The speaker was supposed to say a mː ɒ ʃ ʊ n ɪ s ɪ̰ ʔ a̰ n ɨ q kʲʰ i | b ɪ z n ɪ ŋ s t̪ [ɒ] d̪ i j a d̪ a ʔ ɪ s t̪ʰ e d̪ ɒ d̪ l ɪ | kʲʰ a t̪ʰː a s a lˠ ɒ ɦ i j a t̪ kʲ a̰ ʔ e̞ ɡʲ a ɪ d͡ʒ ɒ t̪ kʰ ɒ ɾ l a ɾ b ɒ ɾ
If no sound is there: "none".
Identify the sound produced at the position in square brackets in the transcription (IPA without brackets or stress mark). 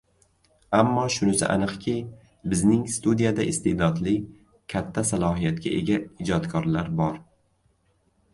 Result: u